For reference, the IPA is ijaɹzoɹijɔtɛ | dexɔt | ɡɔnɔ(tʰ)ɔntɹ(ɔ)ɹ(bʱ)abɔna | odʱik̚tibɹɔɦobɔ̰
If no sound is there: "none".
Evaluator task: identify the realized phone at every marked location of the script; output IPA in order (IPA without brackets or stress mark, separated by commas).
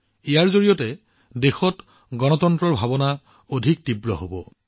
t, ɔ, bʱ